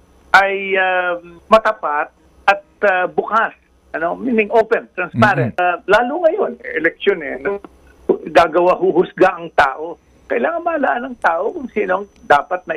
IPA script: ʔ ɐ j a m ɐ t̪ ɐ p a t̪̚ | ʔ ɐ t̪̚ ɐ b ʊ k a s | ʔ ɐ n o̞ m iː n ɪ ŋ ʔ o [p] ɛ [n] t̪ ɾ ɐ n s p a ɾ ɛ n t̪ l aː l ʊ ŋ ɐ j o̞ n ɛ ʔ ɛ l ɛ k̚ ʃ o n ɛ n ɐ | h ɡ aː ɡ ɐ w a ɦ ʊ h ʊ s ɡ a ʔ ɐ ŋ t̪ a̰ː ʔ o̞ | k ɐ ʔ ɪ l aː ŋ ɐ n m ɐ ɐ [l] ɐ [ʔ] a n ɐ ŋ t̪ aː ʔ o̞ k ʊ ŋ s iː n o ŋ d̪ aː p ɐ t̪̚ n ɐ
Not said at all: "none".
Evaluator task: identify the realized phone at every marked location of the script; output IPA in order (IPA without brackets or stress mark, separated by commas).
p, n, l, ʔ